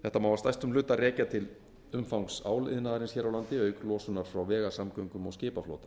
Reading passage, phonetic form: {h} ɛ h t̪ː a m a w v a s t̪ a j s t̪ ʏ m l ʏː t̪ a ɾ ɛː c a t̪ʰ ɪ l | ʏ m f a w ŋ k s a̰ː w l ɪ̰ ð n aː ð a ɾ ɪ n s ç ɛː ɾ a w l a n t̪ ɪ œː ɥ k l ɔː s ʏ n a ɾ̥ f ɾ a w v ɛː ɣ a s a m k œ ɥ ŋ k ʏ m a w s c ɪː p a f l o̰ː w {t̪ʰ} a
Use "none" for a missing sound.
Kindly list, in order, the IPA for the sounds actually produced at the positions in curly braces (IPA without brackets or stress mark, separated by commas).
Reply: θ, t̪